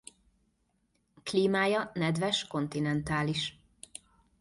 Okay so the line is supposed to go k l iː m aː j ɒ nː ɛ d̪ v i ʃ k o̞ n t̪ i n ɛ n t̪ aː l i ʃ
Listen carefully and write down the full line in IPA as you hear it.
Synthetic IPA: k l iː m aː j ɒ n ɛ d̪ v ɛ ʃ k o̞ n t̪ i n ɛ n t̪ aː l i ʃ